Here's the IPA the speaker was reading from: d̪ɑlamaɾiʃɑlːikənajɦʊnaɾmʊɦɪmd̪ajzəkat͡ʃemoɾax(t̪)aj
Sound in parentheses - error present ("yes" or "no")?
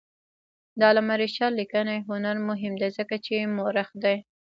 yes